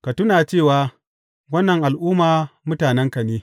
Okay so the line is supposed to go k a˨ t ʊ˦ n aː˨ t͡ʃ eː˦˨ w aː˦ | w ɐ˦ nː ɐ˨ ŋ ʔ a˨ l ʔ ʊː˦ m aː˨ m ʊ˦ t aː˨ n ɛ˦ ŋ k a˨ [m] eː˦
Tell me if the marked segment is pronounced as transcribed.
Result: no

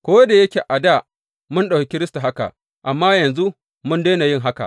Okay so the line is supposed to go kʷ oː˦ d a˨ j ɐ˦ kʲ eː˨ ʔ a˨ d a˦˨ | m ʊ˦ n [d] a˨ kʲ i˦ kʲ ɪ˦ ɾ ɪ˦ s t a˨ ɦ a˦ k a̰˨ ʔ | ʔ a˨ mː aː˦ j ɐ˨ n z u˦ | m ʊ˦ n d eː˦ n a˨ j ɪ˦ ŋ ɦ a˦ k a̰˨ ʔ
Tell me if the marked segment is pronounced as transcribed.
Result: no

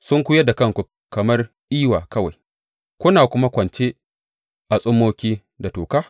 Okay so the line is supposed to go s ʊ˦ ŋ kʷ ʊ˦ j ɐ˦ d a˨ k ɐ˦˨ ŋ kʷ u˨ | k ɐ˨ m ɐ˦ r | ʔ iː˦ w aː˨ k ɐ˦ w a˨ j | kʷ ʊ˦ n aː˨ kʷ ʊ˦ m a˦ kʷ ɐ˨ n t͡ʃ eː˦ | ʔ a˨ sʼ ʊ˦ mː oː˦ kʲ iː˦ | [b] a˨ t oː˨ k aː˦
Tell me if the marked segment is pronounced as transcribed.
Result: no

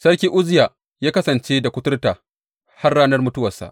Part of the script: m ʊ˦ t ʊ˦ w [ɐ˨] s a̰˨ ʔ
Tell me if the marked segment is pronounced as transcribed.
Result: yes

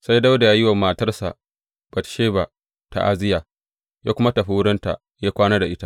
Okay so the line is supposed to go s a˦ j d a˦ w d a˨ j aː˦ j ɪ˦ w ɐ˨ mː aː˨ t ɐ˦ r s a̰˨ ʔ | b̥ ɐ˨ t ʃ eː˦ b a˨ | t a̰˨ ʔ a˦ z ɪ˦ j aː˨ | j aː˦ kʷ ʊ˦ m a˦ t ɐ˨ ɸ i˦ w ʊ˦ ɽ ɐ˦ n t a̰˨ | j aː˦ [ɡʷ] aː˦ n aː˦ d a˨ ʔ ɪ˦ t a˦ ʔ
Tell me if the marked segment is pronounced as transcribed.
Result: no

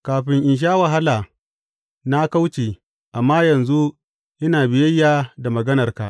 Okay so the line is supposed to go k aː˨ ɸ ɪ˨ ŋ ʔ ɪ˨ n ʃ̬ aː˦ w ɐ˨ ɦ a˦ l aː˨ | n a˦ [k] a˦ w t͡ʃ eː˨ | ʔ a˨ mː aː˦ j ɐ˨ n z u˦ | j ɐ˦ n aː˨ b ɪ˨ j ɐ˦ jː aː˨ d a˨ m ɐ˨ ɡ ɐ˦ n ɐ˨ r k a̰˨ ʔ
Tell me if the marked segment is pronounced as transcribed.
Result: yes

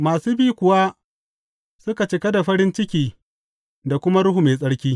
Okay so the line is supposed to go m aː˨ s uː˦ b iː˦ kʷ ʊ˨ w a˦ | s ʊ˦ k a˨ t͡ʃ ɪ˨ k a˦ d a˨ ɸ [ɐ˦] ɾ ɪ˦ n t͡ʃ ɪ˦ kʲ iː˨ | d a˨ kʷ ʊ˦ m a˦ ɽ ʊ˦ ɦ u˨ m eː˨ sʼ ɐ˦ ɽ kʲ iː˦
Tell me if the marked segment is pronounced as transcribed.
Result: yes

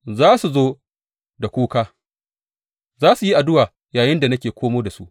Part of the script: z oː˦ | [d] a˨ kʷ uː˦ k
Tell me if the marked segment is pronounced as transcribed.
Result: yes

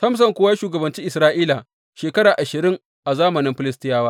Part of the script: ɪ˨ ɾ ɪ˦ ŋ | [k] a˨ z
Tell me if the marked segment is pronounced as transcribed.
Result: no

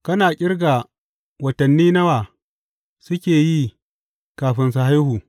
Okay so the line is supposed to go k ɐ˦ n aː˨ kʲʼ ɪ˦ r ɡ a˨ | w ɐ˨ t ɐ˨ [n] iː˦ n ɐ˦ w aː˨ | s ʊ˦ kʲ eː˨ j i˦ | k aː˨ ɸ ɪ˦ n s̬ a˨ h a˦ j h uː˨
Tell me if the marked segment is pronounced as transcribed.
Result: no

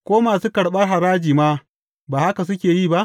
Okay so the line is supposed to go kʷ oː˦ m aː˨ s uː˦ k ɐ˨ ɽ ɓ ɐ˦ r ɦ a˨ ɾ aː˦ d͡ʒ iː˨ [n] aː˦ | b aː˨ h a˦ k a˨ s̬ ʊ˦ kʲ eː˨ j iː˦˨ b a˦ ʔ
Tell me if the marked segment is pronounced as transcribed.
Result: no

